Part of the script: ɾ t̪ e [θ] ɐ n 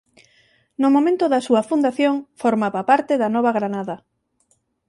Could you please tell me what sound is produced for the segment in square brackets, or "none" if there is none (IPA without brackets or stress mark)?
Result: ð